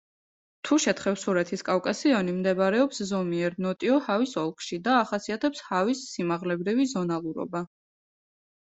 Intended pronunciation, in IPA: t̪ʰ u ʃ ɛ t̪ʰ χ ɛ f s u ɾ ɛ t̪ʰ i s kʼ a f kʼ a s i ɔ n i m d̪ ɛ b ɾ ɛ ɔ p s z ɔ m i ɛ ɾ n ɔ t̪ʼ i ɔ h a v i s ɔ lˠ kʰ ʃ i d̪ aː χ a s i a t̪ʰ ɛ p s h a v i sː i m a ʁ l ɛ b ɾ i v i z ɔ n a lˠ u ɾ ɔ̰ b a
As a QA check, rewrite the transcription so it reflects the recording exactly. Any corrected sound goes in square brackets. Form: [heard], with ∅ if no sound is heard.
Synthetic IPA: t̪ʰ u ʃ ɛ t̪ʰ χ ɛ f s u ɾ ɛ t̪ʰ i s kʼ a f kʼ a s i ɔ n i m d̪ ɛ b ɾ ɛ ɔ p s z ɔ m i ɛ ɾ n ɔ t̪ʼ i ɔ h a v i s ɔ lˠ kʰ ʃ i d̪ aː χ a s i a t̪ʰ ɛ p s h a v i sː i m a ʁ l ɛ b ɾ i v i z ɔ n a lˠ u ɾ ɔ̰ b a